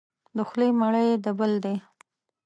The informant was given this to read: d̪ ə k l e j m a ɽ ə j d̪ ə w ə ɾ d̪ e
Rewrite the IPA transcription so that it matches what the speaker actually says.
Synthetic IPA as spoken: d̪ ə x l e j m a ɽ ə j d̪ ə b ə l d̪ e